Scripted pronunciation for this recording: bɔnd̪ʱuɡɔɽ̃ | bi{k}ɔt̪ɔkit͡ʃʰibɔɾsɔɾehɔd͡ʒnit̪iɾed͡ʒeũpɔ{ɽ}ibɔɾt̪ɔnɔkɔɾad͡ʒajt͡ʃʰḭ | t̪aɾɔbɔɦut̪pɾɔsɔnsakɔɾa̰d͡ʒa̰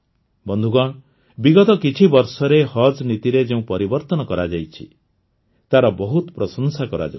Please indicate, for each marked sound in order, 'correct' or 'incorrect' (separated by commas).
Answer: incorrect, incorrect